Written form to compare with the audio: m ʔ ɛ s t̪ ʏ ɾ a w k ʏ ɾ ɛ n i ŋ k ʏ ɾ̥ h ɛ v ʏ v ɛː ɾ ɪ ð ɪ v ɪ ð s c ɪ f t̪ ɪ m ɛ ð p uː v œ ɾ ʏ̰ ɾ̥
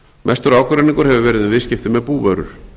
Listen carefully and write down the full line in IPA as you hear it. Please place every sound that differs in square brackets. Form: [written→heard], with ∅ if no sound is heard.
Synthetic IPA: m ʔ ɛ s t̪ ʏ ɾ a w k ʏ ɾ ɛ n i ŋ k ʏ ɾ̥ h ɛ v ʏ v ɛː ɾ ɪ ð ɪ v ɪ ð s c ɪ f t̪ ɪ m ɛ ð p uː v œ ɾ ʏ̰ ɾ̥